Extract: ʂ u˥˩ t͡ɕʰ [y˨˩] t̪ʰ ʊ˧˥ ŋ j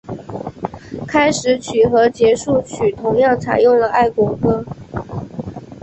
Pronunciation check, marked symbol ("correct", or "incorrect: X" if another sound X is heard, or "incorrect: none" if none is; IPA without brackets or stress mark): correct